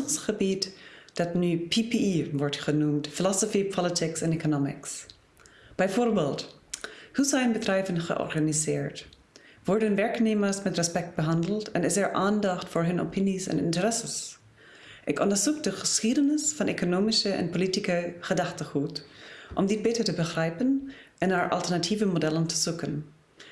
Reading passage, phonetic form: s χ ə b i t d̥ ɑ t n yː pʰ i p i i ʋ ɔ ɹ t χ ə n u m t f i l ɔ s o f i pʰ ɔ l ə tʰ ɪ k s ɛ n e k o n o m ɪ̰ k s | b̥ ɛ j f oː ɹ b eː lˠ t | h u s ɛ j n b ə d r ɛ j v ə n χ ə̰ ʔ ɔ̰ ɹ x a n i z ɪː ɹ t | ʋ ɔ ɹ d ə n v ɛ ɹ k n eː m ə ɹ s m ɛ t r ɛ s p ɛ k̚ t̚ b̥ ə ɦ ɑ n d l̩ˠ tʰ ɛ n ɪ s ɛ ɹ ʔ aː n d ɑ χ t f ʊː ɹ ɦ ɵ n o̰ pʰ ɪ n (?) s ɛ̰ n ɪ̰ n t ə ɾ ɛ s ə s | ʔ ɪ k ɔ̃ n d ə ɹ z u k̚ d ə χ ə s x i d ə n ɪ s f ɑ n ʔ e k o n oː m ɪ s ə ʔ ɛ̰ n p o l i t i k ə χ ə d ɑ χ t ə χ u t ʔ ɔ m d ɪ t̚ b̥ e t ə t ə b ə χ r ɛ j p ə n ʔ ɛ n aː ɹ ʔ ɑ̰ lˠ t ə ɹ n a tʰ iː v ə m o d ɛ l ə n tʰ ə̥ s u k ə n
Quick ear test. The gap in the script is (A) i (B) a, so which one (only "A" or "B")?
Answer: A